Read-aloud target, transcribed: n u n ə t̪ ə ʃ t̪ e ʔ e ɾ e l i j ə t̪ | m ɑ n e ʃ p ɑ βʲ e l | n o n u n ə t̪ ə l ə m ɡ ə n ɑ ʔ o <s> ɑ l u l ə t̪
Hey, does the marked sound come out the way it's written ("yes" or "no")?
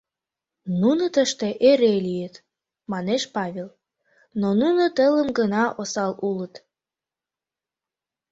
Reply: yes